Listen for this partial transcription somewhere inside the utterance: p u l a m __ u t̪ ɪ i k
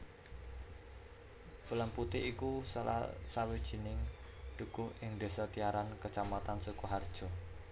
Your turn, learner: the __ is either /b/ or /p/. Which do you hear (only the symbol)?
p